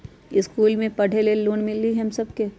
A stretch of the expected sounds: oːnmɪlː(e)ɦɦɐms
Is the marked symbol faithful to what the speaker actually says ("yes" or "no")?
no